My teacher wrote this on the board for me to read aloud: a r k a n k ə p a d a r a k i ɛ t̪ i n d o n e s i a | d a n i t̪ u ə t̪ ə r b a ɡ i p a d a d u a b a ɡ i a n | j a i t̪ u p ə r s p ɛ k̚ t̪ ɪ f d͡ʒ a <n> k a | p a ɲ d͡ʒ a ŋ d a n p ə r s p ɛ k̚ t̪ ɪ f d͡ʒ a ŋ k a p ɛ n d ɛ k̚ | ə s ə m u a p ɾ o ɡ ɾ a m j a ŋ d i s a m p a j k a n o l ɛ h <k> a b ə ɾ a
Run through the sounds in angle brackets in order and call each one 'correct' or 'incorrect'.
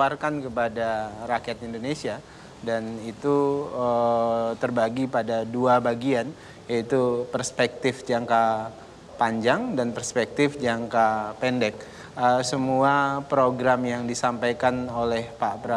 incorrect: ŋ, incorrect: p

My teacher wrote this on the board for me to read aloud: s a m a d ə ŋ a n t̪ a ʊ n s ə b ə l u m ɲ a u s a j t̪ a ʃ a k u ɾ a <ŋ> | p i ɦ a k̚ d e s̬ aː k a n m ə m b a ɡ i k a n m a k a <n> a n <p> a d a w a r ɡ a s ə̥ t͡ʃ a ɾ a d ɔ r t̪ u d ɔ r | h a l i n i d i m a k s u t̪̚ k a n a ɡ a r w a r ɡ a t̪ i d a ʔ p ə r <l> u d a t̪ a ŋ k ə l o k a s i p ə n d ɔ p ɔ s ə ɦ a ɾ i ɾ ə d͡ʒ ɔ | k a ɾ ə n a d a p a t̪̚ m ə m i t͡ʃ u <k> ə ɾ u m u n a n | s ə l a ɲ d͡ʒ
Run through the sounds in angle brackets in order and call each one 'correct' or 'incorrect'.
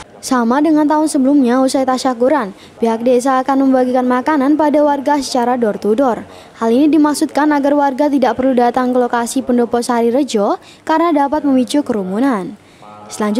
incorrect: n, correct, correct, correct, correct

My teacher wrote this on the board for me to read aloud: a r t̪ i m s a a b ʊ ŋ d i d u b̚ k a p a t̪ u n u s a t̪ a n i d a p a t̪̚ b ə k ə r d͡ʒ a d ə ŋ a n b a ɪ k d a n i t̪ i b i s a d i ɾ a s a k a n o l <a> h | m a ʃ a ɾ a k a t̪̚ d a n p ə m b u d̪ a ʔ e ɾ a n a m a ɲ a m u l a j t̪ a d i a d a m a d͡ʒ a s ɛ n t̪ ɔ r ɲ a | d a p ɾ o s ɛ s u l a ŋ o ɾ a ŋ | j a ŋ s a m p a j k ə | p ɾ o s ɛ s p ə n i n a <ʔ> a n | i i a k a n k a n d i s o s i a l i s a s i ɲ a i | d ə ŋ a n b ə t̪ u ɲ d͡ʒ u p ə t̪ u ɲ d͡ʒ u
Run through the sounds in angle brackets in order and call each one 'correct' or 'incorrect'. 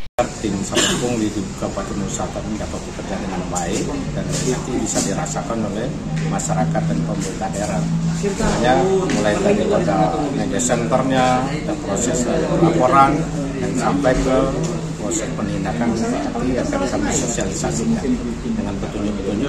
incorrect: ɛ, incorrect: k

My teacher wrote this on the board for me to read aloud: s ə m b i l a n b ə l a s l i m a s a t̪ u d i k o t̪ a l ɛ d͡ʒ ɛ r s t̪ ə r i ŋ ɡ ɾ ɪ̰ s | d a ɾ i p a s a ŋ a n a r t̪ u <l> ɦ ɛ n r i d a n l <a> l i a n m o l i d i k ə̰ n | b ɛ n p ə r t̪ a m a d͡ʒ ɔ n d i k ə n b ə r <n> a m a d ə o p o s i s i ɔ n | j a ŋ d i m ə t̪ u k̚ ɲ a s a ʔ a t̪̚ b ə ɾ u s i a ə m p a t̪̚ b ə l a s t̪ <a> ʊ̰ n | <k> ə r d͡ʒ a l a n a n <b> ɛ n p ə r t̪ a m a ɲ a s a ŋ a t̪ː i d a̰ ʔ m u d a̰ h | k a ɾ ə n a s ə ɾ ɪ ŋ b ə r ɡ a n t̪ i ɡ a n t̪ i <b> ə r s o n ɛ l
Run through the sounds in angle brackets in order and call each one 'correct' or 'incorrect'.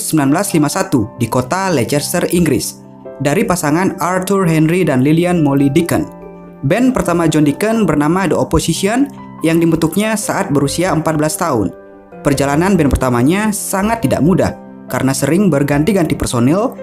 incorrect: r, incorrect: i, correct, correct, incorrect: p, correct, incorrect: p

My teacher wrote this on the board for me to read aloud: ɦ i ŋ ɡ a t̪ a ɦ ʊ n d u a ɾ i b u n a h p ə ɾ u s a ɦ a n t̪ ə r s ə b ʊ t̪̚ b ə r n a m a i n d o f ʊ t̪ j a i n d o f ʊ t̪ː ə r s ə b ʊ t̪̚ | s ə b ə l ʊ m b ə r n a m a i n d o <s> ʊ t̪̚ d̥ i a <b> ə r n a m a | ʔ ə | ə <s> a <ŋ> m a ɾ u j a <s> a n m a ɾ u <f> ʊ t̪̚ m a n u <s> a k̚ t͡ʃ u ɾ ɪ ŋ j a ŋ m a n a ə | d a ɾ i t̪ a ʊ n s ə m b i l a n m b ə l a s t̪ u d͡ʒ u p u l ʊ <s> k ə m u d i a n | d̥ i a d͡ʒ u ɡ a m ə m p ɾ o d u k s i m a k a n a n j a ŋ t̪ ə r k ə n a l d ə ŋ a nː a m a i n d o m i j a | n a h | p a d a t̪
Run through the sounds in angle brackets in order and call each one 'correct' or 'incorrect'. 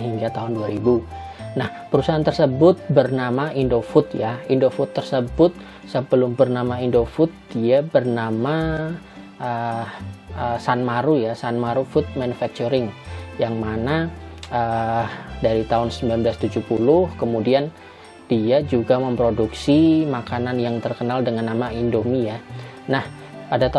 incorrect: f, correct, correct, incorrect: n, correct, correct, incorrect: f, incorrect: h

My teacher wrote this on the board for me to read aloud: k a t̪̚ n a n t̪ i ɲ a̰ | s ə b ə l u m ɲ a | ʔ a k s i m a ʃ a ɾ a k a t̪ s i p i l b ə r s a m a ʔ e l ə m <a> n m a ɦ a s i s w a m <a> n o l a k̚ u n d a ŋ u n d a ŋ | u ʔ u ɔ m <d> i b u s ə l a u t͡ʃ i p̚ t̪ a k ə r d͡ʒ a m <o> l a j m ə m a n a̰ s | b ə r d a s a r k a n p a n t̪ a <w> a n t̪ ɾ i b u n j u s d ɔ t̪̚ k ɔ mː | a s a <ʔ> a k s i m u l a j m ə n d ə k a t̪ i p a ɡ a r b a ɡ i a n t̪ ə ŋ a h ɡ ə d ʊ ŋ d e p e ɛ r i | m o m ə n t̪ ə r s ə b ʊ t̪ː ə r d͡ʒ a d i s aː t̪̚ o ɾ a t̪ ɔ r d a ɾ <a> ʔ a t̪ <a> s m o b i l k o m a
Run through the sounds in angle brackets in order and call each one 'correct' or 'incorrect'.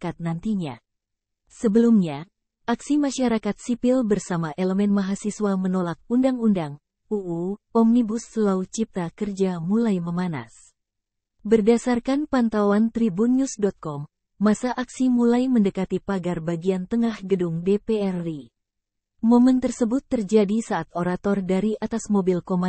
incorrect: ɛ, incorrect: ə, incorrect: n, incorrect: u, correct, correct, incorrect: i, correct

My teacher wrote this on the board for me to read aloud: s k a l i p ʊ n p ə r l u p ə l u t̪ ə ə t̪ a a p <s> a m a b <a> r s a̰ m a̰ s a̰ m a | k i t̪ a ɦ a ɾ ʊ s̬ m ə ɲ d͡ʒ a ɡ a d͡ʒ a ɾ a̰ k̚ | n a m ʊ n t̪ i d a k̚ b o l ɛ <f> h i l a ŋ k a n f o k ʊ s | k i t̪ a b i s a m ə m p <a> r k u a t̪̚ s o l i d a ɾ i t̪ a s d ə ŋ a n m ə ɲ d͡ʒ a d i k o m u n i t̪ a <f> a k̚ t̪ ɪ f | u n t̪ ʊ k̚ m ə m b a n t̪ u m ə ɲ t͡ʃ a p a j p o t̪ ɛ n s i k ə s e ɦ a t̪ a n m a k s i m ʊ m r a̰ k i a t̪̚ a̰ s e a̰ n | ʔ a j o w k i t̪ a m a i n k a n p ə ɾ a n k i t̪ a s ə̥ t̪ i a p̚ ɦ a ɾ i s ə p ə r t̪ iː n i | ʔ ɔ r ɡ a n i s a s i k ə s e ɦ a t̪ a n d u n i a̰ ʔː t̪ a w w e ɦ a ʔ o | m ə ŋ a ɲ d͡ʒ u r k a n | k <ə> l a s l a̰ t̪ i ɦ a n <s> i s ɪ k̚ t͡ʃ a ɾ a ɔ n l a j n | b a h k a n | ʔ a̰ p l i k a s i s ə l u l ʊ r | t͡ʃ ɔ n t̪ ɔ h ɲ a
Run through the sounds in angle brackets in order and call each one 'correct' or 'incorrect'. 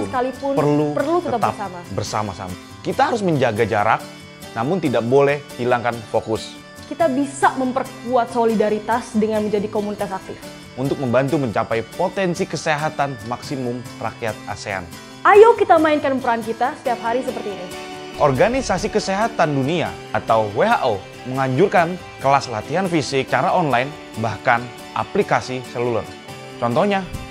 correct, incorrect: ə, incorrect: h, incorrect: ə, incorrect: s, correct, incorrect: f

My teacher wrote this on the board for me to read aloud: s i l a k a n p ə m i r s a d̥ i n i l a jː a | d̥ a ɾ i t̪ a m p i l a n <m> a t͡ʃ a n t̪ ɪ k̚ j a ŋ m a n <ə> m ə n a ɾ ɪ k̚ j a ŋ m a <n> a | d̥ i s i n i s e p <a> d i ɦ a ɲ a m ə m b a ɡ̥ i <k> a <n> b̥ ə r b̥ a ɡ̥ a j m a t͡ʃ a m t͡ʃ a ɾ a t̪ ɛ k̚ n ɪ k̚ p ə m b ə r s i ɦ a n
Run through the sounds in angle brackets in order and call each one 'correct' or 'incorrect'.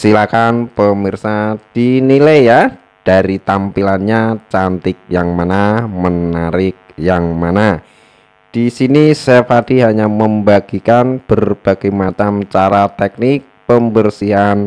incorrect: ɲ, incorrect: a, correct, correct, correct, correct

